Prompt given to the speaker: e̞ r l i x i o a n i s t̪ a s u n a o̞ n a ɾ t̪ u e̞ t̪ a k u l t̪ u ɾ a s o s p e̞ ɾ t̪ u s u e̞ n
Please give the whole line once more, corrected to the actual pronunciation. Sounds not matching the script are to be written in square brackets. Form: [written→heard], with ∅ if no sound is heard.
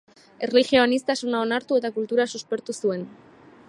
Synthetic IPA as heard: e̞ r l i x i o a n i s t̪ a s u n a o̞ n a ɾ t̪ u e̞ t̪ a k u l t̪ u ɾ a s [o→u] s p e̞ ɾ t̪ u s u e̞ n